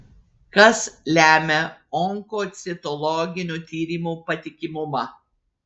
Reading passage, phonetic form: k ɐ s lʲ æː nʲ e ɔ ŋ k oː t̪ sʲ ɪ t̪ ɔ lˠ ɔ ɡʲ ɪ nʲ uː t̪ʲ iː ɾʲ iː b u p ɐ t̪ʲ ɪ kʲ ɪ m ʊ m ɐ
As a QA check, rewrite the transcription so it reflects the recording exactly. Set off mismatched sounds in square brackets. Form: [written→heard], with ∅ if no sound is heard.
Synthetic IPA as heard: k ɐ s lʲ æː [nʲ→mʲ] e ɔ ŋ k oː t̪ sʲ ɪ t̪ ɔ lˠ ɔ ɡʲ ɪ nʲ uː t̪ʲ iː ɾʲ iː [b→m] u p ɐ t̪ʲ ɪ kʲ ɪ m ʊ m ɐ